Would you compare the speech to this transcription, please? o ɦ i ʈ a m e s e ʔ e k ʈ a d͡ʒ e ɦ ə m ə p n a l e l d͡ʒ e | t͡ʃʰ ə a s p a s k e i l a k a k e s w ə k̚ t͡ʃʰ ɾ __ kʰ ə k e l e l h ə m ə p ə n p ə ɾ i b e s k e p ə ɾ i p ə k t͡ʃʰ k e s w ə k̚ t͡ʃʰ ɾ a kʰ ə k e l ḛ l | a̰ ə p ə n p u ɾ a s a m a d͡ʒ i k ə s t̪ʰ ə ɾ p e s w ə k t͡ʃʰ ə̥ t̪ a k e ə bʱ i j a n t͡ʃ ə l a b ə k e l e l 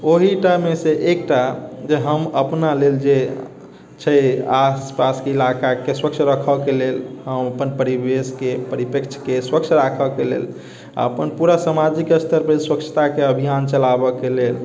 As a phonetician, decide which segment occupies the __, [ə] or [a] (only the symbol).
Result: ə